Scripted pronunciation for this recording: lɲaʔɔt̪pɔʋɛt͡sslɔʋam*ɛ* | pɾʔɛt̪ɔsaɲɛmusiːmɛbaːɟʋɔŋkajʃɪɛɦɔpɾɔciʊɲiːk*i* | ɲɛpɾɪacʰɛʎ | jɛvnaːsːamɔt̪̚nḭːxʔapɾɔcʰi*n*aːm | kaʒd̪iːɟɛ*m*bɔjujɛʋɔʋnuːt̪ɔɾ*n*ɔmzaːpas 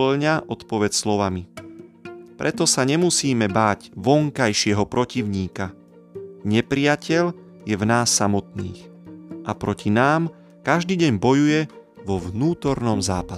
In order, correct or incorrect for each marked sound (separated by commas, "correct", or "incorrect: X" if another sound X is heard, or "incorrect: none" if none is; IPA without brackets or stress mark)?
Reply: incorrect: i, incorrect: a, correct, incorrect: ɲ, correct